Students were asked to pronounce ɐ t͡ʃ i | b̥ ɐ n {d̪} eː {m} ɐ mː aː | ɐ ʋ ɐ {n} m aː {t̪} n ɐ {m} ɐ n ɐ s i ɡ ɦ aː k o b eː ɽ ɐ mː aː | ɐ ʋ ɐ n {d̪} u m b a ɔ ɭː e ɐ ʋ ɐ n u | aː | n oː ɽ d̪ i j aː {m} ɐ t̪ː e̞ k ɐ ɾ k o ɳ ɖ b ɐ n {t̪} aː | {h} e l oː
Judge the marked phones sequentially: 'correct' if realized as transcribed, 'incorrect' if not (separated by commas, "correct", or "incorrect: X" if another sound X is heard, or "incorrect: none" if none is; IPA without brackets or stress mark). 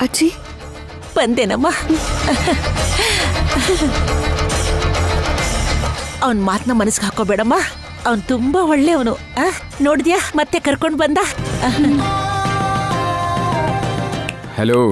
correct, incorrect: n, correct, correct, correct, incorrect: t̪, correct, incorrect: d̪, correct